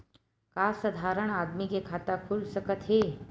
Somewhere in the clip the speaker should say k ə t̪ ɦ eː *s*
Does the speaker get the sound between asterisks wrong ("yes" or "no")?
yes